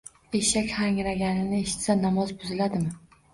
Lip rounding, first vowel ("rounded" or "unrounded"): unrounded